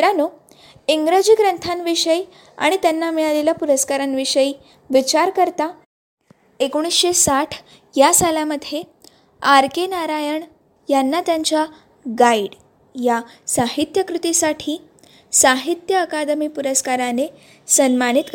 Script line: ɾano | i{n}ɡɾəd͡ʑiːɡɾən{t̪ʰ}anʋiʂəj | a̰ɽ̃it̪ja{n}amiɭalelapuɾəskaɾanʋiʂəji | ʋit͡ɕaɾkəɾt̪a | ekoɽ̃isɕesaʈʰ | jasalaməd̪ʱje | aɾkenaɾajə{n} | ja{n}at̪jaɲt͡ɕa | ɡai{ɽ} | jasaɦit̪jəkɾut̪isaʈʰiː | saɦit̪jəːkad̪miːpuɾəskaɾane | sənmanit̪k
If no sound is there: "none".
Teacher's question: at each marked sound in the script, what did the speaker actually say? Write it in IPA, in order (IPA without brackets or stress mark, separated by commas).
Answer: ŋ, t̪ʰ, nː, ɳ, nː, ɽ